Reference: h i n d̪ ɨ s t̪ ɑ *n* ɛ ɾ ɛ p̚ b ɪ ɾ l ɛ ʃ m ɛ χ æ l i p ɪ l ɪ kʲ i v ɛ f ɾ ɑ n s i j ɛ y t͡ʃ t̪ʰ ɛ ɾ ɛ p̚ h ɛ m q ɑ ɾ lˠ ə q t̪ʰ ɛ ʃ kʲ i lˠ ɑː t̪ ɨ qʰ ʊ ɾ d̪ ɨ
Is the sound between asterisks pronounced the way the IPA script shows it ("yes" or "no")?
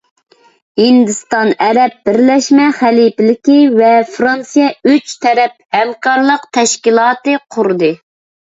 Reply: yes